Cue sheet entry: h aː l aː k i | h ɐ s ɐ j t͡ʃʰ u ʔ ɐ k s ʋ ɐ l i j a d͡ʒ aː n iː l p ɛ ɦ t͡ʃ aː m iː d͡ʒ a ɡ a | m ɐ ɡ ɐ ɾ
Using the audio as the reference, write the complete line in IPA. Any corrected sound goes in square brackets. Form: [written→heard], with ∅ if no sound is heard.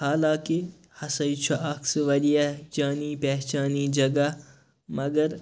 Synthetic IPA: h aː l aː k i | h ɐ s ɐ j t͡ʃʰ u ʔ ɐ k s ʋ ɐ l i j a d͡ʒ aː n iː [l→∅] p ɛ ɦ t͡ʃ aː [m→n] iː d͡ʒ [a→ɐ] ɡ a | m ɐ ɡ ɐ ɾ